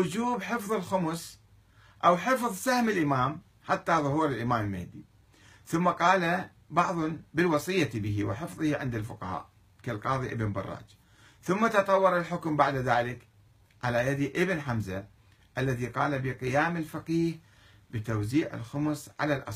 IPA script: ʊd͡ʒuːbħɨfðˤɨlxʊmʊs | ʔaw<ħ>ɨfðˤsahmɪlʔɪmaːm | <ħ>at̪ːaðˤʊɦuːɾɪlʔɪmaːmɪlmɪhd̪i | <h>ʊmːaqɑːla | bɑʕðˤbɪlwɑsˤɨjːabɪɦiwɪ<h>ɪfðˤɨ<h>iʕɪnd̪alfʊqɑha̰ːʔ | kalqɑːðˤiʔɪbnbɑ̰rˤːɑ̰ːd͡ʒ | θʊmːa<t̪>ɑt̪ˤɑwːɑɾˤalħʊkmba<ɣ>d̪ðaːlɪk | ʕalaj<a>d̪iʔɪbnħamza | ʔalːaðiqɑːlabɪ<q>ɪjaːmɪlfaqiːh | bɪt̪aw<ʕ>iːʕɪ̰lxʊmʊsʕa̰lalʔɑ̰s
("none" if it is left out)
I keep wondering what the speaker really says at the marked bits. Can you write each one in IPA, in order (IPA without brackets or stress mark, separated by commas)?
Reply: ħ, ħ, θ, ħ, h, t̪, ʕ, a, q, z